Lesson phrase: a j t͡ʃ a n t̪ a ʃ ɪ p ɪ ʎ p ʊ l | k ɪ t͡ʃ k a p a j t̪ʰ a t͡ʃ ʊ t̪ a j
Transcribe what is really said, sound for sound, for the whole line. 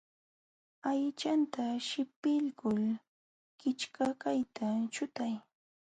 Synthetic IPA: a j t͡ʃ a n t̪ a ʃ ɪ p ɪ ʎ k ʊ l | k ɪ t͡ʃ k a k a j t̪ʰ a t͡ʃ ʊ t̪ a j